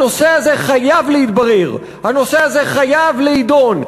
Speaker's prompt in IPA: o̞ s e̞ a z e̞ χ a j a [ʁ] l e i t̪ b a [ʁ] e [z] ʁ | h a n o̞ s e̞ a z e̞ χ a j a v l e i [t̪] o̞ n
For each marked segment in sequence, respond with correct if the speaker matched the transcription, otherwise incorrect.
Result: incorrect: v, correct, incorrect: none, incorrect: d̪

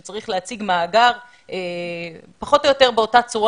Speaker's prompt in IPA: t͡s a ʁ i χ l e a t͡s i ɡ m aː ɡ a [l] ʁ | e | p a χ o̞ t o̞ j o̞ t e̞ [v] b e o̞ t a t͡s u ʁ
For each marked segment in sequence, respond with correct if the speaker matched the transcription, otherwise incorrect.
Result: incorrect: none, incorrect: ʁ

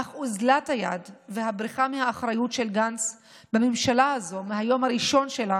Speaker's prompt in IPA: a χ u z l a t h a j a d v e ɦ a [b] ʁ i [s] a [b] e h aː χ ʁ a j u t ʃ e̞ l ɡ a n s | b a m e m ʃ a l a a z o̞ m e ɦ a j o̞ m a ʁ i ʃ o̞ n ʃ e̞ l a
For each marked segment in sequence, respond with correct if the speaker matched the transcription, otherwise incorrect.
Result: correct, incorrect: χ, incorrect: m

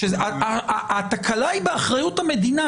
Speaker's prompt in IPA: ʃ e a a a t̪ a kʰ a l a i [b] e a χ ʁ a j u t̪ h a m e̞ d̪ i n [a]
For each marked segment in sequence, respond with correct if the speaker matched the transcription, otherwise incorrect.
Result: correct, correct

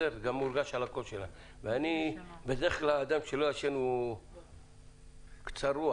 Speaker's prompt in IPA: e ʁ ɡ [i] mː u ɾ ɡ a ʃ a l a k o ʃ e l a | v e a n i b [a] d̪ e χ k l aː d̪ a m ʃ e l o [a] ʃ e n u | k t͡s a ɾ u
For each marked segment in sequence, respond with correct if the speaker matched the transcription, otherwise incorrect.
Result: incorrect: a, incorrect: e, correct

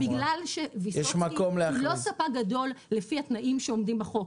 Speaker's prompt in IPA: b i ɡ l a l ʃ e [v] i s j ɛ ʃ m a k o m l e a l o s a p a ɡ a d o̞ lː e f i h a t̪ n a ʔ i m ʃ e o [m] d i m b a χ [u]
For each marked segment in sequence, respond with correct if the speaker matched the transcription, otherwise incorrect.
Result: correct, correct, incorrect: o

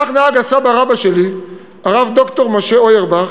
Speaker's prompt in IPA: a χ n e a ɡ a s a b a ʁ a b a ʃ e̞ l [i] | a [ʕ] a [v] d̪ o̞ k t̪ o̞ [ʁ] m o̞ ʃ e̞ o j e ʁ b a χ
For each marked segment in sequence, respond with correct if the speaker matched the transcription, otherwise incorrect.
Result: correct, incorrect: ʁ, correct, correct

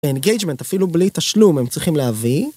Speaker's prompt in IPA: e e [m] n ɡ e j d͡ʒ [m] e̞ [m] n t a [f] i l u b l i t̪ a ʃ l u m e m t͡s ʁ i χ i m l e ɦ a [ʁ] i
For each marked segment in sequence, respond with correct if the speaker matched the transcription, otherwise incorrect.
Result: incorrect: none, correct, incorrect: none, correct, incorrect: v

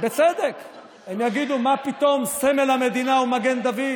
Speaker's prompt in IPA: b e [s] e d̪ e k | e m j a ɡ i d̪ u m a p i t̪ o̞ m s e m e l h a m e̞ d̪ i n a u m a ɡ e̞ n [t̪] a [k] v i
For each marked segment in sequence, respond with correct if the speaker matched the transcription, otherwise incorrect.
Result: incorrect: t͡s, incorrect: d̪, incorrect: none

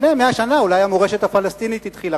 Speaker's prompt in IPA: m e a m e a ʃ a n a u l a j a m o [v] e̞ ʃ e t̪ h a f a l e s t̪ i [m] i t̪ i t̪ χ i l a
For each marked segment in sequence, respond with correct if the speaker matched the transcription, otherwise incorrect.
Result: incorrect: ʁ, incorrect: n

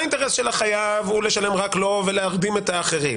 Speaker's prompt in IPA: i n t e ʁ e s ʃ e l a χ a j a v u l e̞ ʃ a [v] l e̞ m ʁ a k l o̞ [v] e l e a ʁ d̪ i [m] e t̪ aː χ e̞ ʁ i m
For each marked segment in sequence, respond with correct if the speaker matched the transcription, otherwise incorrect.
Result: incorrect: none, correct, correct

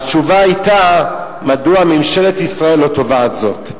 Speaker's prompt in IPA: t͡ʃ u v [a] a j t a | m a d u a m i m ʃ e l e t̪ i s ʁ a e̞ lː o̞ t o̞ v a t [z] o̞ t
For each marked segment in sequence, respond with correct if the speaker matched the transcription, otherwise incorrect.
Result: correct, correct

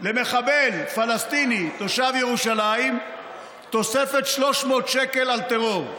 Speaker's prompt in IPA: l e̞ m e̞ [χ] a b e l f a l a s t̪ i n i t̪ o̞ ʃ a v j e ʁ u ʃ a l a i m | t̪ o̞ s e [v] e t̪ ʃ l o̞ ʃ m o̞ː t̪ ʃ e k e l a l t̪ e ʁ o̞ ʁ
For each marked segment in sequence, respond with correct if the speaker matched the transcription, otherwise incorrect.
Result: correct, incorrect: f

